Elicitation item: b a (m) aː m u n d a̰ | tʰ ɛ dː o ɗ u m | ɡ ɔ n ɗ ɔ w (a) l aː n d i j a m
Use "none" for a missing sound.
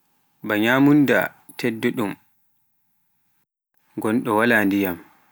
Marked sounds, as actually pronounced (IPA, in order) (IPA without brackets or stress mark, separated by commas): ɲ, a